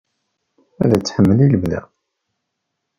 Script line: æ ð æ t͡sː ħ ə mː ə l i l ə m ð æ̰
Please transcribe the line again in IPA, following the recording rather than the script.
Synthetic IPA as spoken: æ ð æ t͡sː ħ ə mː ə l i l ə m ð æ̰